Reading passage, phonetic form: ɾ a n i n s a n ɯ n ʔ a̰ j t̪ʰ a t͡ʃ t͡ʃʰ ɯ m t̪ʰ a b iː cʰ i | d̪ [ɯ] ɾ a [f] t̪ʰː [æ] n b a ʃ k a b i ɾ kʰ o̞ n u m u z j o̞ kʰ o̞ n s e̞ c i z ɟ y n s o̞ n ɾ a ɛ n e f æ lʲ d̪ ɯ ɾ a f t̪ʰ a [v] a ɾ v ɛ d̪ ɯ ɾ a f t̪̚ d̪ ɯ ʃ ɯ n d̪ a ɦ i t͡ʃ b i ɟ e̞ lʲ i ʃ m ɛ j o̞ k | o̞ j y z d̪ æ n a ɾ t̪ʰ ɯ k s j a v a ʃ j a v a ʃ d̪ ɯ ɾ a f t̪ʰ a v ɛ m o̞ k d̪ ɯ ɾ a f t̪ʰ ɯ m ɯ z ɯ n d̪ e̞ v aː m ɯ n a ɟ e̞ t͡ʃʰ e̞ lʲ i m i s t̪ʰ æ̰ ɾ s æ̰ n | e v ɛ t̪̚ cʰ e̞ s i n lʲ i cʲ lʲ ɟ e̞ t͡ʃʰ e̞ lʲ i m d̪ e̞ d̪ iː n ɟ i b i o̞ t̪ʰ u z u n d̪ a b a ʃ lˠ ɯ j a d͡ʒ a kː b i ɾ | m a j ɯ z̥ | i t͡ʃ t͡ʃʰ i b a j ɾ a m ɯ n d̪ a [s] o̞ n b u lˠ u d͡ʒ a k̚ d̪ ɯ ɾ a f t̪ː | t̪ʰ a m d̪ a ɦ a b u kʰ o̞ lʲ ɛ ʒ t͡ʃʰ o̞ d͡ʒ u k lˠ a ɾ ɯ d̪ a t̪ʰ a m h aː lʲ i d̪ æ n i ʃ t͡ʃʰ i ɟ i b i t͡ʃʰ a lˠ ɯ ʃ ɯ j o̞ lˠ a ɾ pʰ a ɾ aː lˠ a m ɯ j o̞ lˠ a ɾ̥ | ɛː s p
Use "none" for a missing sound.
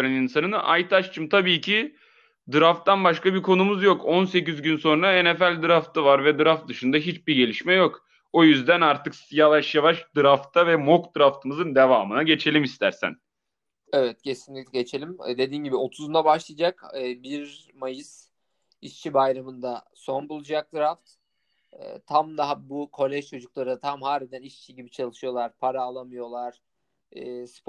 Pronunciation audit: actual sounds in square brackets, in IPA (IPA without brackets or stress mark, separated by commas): ɯ, f, a, v, s